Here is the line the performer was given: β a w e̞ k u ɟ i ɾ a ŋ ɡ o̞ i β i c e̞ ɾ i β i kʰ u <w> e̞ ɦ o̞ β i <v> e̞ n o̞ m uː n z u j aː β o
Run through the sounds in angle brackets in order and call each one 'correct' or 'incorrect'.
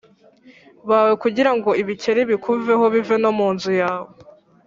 incorrect, correct

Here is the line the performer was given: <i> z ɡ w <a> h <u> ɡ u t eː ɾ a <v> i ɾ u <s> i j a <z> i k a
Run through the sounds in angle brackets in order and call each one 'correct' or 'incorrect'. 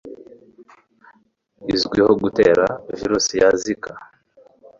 correct, incorrect, incorrect, correct, correct, correct

